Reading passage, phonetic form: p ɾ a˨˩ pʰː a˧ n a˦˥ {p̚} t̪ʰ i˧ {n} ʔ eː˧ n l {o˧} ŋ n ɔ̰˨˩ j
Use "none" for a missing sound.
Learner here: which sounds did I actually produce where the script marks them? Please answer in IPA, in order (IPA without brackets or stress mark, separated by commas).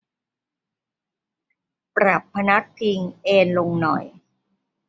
k̚, ŋ, o˧